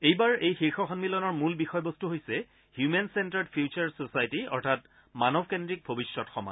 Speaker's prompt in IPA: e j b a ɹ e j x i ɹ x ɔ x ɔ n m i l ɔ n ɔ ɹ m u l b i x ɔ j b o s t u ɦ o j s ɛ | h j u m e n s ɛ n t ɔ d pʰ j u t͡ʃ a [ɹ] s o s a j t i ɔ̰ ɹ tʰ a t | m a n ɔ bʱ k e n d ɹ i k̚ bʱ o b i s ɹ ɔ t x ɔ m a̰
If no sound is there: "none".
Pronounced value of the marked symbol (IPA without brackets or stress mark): ɹ